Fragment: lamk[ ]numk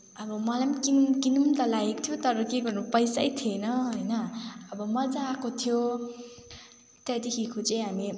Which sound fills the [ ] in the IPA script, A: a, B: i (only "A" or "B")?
B